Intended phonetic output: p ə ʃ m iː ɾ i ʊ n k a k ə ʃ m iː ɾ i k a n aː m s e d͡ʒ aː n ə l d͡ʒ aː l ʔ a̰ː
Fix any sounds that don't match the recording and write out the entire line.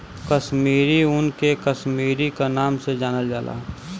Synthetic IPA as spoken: k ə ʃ m iː ɾ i ʊ n k e k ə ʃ m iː ɾ i k a n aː m s e d͡ʒ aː n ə l d͡ʒ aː l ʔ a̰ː